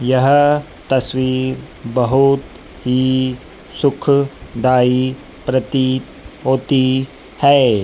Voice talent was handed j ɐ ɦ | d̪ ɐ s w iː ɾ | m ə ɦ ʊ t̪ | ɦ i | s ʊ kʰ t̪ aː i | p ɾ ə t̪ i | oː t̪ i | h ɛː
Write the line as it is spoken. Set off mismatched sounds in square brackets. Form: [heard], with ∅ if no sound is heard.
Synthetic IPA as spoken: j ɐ ɦ | [t̪] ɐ s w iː ɾ | [b] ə ɦ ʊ t̪ | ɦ i | s ʊ kʰ [d̪] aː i | p ɾ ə t̪ i | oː t̪ i | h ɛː